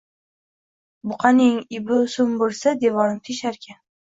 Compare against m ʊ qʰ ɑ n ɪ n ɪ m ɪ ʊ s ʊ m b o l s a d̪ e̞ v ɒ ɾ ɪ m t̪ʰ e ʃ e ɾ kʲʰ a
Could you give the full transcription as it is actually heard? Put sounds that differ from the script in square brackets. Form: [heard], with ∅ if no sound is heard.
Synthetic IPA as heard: [b] ʊ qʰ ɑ n ɪ [ŋ] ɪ [b] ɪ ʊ s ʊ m b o l s a d̪ e̞ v ɒ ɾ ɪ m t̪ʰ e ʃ [a] ɾ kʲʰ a